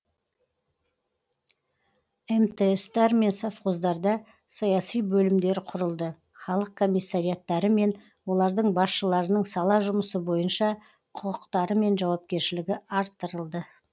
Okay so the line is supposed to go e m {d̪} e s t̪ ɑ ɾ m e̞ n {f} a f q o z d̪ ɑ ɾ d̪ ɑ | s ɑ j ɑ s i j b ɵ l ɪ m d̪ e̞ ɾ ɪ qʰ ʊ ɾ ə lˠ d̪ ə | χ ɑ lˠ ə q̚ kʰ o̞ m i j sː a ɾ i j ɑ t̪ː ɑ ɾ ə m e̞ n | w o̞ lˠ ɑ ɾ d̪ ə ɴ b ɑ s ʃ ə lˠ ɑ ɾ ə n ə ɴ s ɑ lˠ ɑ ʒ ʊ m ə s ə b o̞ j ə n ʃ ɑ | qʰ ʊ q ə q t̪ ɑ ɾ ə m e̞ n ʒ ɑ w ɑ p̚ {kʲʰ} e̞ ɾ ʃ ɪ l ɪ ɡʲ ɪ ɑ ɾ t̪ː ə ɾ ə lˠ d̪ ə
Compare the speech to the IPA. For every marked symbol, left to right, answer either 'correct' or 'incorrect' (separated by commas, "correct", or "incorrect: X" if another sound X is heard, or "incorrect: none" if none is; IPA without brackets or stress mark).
incorrect: t̪, incorrect: s, incorrect: kʲ